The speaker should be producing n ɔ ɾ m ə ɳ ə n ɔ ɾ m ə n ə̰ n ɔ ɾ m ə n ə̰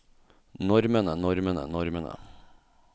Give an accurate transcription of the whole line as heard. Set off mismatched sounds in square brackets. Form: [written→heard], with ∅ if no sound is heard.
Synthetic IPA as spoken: n ɔ ɾ m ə [ɳ→n] ə n ɔ ɾ m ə n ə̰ n ɔ ɾ m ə n ə̰